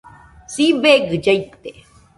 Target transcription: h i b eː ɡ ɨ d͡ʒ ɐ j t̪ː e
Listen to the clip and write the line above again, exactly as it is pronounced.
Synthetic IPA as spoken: s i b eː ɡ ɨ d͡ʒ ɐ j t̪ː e